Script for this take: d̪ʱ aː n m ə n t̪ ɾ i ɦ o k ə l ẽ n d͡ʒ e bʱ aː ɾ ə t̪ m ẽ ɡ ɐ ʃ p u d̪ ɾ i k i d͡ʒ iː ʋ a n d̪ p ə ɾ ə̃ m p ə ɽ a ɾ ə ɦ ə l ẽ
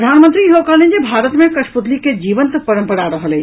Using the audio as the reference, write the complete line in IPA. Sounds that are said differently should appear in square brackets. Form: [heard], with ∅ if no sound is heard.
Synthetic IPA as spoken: d̪ʱ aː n m ə n t̪ ɾ i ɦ o k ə l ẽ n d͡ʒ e bʱ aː ɾ ə t̪ m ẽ [k] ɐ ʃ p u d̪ [l] i k [e] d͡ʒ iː ʋ [ə] n [t̪] p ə ɾ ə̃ m p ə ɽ a ɾ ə ɦ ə l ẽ